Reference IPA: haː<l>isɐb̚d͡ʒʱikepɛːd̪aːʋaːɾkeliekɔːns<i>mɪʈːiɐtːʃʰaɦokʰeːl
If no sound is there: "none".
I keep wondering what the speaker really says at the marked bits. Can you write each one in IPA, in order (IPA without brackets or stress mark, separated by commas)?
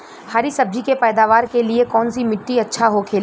ɾ, i